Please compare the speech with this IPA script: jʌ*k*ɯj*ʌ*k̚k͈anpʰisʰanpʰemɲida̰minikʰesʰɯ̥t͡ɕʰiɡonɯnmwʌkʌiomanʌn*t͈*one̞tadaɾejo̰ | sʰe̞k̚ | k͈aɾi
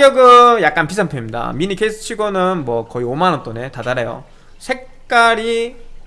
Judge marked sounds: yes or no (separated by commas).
no, no, yes